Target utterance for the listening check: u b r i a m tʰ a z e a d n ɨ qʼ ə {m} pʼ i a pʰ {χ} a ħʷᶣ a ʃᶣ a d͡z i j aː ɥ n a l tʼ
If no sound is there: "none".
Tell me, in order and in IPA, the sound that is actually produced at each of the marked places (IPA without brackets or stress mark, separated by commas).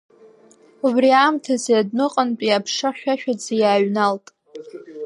n, ʂ